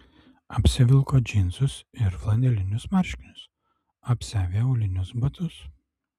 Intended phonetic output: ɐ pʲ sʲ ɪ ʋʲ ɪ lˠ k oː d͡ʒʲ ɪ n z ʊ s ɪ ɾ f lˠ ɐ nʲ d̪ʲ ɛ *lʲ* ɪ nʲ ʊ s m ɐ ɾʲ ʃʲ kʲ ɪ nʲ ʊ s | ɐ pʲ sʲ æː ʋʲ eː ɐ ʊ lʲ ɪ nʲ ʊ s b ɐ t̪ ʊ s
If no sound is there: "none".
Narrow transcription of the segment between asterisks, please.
lʲ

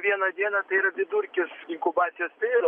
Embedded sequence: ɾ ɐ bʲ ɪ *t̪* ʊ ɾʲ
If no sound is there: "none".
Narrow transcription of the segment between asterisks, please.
d̪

